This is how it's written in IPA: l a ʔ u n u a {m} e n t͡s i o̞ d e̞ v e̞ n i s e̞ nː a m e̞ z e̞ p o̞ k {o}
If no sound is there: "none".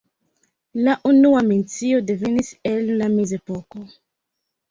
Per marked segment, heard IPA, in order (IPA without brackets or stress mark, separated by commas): m, o